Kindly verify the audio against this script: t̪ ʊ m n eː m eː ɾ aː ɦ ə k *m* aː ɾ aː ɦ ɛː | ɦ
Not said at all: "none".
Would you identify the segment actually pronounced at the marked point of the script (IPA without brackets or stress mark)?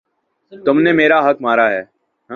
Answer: m